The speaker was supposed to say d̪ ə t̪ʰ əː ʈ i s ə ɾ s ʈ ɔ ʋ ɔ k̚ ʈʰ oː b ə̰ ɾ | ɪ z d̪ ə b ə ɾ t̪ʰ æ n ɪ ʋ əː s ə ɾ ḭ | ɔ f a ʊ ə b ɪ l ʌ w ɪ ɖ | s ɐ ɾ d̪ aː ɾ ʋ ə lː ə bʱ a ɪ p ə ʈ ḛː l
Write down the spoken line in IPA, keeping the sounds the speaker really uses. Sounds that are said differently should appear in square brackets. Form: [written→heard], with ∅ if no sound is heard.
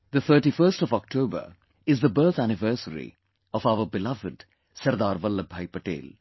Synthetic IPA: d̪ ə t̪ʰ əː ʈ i [s→f] ə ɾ s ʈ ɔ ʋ ɔ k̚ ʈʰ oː b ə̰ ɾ | ɪ z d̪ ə b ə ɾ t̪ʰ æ n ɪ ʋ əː s ə ɾ ḭ | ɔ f a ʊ ə b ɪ l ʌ [w→ʋ] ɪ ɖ | s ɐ ɾ d̪ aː ɾ ʋ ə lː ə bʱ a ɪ p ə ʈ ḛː l